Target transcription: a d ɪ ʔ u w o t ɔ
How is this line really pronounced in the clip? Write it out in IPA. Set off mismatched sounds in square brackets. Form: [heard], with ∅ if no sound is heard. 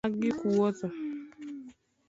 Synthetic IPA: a [ɡ] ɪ [k] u w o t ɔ

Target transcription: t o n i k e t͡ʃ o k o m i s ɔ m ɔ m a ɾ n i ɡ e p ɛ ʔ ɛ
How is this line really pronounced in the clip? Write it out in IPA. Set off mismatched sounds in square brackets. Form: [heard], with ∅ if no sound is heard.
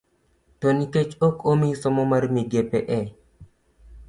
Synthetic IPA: t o n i k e t͡ʃ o k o m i s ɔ m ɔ m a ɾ [m] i ɡ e p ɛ ʔ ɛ

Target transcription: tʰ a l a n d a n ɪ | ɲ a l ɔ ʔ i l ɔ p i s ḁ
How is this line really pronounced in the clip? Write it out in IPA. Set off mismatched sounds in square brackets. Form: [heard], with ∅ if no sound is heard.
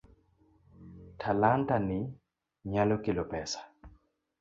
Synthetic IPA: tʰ a l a n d a n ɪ | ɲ a l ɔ [k] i l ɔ p [ɛ] s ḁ

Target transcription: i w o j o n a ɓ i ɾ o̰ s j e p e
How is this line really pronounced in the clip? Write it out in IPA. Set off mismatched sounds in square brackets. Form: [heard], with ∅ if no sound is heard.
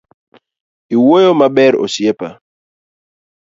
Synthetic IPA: i w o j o [m] a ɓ [ɛ] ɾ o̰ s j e p [a]

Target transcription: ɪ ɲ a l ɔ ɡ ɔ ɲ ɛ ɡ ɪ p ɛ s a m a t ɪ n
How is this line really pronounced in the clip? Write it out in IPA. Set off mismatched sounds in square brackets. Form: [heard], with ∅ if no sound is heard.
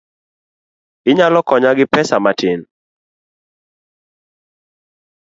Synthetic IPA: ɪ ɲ a l ɔ [k] ɔ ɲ [a] ɡ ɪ p ɛ s a m a t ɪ n

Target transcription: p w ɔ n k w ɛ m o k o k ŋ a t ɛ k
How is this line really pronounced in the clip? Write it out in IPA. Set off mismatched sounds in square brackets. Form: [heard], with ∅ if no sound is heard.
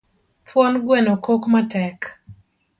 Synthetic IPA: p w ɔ n [ɡ] w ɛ [n] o k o k [m] a t ɛ k

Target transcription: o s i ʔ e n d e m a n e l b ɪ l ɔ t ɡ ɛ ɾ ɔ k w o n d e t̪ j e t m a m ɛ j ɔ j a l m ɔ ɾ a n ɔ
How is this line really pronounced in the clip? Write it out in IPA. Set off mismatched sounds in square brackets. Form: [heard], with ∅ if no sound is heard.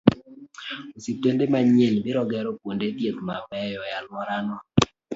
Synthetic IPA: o s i [t] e n d e m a [ɲ] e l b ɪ [ɾ] ɔ [∅] ɡ ɛ ɾ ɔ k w o n d e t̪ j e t m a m ɛ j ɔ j a l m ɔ ɾ a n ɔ

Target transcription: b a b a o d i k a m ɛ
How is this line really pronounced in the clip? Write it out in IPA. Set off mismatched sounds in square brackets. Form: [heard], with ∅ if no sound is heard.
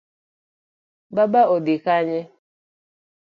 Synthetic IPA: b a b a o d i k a [ɲ] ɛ

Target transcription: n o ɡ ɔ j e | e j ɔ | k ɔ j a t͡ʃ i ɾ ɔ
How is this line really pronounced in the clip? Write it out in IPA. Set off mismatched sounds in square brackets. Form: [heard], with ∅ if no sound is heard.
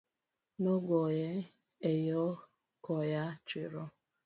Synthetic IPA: n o ɡ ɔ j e | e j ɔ | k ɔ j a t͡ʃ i ɾ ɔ

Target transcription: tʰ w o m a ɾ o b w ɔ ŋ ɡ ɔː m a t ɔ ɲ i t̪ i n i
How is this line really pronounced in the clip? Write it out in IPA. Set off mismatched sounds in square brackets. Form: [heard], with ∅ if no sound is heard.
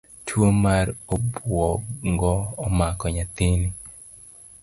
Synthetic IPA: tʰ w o m a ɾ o b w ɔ ŋ ɡ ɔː m a [k] ɔ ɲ [a] t̪ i n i

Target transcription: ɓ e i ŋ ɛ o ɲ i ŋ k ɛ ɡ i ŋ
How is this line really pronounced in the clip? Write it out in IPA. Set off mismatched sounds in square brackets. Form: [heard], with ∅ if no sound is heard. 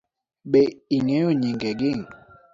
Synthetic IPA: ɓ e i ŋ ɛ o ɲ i ŋ [ɡ] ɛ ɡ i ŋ

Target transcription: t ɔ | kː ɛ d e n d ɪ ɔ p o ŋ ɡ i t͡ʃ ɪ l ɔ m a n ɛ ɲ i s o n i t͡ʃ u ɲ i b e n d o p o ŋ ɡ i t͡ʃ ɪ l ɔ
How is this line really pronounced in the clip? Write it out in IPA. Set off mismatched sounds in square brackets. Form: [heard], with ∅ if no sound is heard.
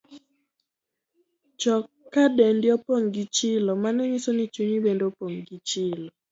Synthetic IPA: [t͡ʃ] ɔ | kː [a] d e n d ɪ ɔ p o ŋ ɡ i t͡ʃ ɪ l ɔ m a n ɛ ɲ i s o n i t͡ʃ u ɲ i b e n d o p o ŋ ɡ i t͡ʃ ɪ l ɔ

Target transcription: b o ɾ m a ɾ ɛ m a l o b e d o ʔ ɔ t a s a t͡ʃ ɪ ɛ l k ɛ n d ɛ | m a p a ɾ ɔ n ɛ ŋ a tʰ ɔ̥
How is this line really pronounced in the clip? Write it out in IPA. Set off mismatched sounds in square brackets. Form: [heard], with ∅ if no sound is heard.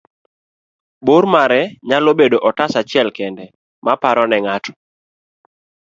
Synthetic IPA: b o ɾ m a ɾ ɛ [ɲ] a l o b e d o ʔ ɔ t a s a t͡ʃ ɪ ɛ l k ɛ n d ɛ | m a p a ɾ ɔ n ɛ ŋ a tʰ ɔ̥

